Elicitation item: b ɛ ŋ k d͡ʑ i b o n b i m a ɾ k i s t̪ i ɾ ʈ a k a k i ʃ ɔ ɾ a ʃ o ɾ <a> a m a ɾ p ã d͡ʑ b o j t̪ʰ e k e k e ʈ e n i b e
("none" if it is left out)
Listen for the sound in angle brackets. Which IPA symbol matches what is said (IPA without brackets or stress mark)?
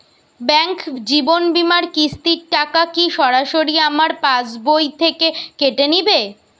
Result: i